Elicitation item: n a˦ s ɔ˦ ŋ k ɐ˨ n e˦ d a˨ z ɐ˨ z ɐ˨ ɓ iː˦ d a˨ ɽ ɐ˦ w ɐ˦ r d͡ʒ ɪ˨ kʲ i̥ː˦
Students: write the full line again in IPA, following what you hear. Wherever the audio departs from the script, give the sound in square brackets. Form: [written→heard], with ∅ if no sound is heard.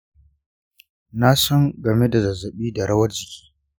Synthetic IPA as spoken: n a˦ s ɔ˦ ŋ [k→ɡ] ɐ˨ [n→m] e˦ d a˨ z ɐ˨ z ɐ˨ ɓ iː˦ d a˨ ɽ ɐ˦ w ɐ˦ r d͡ʒ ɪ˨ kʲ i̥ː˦